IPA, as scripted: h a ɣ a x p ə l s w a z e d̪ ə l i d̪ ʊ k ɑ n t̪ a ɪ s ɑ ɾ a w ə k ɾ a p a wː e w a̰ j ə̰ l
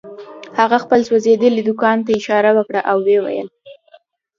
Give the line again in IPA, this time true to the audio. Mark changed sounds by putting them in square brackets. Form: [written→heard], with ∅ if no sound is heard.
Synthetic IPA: h a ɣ a x p ə l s w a z e d̪ ə l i d̪ ʊ k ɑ n t̪ a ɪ [s→ʃ] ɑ ɾ a w ə k [ɾ→ɽ] a [p→ʔ] a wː e w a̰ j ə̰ l